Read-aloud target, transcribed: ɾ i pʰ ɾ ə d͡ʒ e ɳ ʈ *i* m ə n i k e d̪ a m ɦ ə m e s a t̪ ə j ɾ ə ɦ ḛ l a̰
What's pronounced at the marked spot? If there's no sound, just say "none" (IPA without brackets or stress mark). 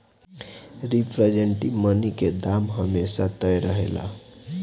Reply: i